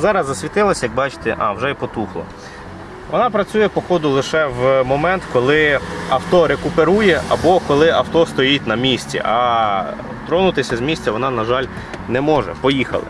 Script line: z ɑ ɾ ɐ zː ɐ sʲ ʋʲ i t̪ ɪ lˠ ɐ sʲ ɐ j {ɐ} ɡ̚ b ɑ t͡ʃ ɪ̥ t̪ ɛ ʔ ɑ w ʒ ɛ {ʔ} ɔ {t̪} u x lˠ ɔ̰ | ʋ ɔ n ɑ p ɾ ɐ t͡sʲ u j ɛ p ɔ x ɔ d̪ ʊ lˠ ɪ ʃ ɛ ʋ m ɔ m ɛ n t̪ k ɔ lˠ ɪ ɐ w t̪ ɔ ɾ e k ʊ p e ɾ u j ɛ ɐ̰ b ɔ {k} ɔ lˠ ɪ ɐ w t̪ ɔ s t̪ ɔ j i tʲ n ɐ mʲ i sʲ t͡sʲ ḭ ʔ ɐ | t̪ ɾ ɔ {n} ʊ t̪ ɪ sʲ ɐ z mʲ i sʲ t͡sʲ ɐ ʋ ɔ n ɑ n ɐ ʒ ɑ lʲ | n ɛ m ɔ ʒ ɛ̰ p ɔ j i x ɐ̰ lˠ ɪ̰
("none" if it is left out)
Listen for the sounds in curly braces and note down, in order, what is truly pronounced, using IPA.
ɐ, p, t̪, k, n

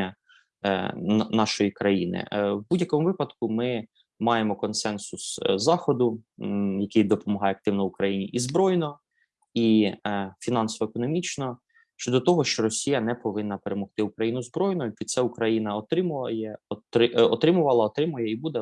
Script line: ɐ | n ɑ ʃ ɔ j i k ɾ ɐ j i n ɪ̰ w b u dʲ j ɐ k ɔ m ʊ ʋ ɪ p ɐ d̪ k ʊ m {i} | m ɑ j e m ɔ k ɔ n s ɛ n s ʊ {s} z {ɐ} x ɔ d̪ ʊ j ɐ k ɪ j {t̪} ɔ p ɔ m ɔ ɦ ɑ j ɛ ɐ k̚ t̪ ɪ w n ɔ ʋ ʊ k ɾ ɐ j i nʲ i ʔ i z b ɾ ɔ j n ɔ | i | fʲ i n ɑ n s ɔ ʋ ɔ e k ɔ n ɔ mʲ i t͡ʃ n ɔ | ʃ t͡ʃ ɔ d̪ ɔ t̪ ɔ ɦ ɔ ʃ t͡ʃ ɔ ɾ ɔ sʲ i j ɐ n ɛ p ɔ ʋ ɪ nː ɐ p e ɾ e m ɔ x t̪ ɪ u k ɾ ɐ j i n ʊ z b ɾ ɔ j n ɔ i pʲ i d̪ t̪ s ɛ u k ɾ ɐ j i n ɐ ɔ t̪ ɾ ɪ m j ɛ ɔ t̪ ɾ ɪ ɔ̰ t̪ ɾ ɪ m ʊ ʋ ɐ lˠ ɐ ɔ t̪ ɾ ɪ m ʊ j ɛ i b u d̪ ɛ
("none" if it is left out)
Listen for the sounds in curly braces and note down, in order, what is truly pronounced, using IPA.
ɪ, s, ɑ, d̪

